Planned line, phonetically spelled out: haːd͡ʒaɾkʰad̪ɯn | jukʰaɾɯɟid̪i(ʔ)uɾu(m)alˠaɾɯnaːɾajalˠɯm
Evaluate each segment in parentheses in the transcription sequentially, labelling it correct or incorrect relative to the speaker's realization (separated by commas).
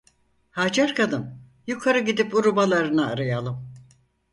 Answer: incorrect, incorrect